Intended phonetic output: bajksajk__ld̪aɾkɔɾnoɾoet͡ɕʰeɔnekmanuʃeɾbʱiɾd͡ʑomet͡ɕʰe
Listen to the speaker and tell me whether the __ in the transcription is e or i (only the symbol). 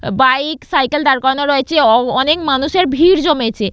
e